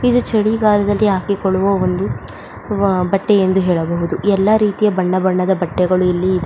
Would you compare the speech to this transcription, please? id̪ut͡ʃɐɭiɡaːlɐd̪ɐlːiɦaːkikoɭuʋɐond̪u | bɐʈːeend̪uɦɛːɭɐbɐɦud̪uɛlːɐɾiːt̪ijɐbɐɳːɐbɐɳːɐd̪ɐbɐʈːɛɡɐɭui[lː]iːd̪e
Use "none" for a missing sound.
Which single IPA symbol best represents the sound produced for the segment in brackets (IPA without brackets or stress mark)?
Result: lː